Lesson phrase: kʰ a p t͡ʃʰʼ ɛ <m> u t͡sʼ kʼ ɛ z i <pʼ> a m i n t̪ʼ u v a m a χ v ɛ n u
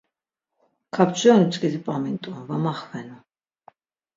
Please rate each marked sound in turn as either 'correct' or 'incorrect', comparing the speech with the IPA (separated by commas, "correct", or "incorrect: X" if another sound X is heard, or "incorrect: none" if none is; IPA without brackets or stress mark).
incorrect: n, correct